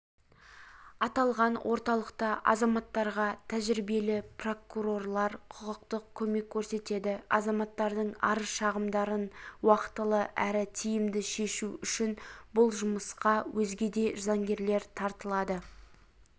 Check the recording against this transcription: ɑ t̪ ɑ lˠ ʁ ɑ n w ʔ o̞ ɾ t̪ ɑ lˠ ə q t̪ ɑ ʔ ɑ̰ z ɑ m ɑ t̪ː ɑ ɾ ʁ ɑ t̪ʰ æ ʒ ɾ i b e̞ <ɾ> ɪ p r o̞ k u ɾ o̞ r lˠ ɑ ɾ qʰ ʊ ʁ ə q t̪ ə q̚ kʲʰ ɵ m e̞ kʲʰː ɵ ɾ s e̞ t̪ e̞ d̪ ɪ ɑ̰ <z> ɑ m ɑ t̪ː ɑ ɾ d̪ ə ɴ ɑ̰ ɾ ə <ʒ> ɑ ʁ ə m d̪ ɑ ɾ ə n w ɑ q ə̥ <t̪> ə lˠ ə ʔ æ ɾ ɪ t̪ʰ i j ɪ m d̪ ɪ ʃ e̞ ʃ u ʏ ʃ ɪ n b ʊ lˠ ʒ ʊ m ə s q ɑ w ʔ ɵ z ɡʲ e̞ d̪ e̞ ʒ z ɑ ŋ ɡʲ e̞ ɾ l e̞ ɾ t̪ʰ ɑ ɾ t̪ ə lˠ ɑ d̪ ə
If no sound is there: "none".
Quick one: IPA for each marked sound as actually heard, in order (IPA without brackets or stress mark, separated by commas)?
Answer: l, z, ʃ, t̪